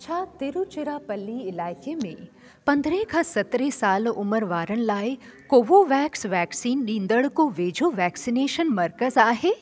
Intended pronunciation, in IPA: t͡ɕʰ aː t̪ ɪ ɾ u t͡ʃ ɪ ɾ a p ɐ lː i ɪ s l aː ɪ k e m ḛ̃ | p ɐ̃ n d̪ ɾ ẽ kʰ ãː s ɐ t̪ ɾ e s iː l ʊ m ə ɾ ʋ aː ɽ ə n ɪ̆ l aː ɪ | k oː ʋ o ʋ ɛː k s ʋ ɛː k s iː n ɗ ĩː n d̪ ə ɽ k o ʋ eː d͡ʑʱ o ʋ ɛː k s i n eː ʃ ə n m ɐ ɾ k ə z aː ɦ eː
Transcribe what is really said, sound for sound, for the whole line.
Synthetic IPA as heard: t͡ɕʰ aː t̪ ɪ ɾ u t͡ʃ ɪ ɾ a p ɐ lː i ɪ l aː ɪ k e m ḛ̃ | p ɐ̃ n d̪ ɾ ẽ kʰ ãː s ɐ t̪ ɾ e s aː l ʊ m ə ɾ ʋ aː ɾ ə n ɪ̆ l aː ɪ | k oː ʋ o ʋ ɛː k s ʋ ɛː k s iː n ɗ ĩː n d̪ ə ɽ k o ʋ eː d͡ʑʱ o ʋ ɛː k s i n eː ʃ ə n m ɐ ɾ k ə z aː ɦ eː